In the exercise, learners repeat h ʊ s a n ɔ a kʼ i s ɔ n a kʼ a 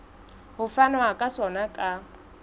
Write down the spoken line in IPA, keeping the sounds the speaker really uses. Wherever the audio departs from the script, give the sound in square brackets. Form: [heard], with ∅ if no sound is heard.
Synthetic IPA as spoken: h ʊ [f] a n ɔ a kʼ [a] s ɔ n a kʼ a